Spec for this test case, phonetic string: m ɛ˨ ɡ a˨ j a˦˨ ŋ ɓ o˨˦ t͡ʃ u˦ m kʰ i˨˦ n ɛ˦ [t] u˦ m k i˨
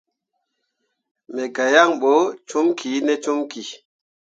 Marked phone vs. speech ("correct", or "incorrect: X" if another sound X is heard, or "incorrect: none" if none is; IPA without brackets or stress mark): incorrect: t͡ʃ